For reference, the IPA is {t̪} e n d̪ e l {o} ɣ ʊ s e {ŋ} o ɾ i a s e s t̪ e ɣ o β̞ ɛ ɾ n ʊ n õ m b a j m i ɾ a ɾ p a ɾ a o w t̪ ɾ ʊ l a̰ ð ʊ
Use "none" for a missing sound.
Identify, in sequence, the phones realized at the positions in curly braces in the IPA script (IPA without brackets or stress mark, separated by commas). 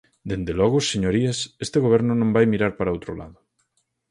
d̪, ɔ, ɲ